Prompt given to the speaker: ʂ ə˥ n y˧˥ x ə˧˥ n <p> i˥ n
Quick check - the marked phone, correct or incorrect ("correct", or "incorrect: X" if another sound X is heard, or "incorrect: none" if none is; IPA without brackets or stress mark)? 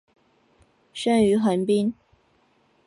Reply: correct